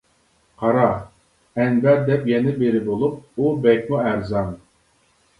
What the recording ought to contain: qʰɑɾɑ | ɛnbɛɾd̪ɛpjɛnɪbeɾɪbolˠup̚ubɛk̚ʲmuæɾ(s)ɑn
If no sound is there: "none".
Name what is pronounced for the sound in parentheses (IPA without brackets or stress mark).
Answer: z